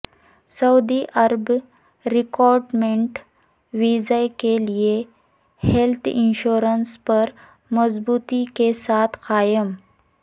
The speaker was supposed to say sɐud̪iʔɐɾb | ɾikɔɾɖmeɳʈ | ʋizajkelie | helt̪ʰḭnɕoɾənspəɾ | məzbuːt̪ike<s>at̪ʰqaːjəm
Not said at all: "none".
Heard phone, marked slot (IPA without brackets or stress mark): s